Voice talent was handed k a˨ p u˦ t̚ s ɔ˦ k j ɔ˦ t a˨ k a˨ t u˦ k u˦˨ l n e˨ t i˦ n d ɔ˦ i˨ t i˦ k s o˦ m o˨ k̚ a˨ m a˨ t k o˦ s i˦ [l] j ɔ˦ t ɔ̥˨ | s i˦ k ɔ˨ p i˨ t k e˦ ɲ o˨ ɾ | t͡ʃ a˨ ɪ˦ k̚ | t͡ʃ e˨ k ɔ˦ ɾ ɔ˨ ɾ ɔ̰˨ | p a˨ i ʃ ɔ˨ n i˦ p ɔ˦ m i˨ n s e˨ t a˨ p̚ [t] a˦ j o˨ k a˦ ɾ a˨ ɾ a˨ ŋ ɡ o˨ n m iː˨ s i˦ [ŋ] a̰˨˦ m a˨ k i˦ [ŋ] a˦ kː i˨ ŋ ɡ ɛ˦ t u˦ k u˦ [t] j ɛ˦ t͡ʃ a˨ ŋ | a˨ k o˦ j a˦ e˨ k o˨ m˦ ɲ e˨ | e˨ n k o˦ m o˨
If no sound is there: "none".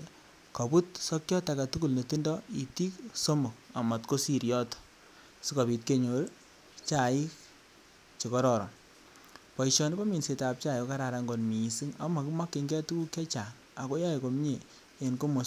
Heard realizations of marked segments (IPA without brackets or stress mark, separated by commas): ɾ, t͡ʃ, ŋ, m, k